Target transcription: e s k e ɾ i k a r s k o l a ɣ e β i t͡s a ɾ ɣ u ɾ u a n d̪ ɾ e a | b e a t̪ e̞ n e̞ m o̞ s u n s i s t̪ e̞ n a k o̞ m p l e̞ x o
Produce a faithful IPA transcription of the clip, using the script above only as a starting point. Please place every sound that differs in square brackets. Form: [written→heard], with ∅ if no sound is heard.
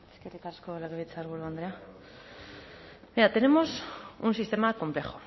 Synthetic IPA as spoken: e s k e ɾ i k a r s k o l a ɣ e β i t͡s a ɾ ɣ u ɾ u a n d̪ ɾ e a | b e a t̪ e̞ n e̞ m o̞ s u n s i s t̪ e̞ [n→m] a k o̞ m p l e̞ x o